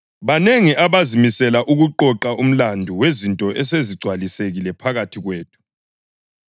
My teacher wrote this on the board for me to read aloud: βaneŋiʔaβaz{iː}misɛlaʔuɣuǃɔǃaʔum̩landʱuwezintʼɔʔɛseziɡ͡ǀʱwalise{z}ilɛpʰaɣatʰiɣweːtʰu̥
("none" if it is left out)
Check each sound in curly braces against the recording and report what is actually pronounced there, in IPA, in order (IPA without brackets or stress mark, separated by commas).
i, ɣ